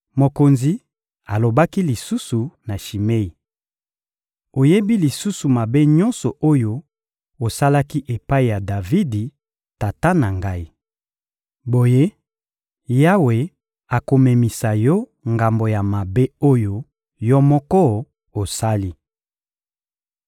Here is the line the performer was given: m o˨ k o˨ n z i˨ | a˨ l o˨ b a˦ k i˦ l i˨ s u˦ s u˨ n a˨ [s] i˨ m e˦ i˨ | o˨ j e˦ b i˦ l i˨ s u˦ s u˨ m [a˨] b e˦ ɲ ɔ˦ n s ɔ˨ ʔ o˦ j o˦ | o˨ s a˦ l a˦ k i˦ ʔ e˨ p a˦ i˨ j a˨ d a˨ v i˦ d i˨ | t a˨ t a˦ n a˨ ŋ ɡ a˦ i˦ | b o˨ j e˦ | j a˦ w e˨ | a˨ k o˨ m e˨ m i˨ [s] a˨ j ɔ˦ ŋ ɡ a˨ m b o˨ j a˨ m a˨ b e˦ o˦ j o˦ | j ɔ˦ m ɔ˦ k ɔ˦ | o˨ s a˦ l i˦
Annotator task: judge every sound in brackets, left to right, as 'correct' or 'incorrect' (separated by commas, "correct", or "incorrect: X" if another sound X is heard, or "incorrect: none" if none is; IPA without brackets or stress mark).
incorrect: ʃ, correct, correct